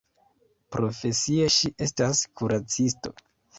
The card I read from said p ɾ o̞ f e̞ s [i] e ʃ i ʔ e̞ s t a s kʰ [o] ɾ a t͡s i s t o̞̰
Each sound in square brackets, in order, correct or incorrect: correct, incorrect: u

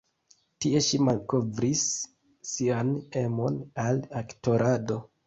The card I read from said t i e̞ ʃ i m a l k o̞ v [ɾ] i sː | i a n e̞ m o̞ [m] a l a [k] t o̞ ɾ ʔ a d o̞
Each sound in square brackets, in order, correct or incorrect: correct, incorrect: n, correct

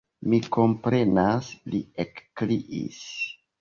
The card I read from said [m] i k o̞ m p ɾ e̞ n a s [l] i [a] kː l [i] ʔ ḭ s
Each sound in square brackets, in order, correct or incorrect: correct, correct, incorrect: e, correct

